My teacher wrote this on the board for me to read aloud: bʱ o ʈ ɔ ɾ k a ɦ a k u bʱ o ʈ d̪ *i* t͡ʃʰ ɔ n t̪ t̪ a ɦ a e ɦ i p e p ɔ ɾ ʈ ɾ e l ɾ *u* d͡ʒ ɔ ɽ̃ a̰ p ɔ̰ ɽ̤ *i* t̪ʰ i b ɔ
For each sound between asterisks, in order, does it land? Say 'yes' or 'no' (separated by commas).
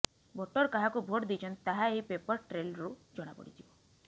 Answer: yes, yes, yes